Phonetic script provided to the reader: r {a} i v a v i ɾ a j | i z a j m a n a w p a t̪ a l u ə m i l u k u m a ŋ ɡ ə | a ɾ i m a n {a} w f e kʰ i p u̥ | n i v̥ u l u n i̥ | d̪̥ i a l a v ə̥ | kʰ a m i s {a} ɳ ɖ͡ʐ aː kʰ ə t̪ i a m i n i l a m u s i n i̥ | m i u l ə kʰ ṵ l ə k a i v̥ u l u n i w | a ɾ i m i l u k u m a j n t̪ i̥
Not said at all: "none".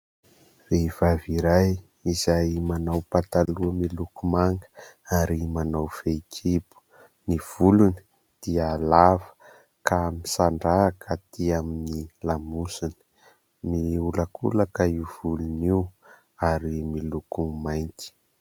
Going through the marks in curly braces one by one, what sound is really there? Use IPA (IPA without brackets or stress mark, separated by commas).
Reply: e, a, a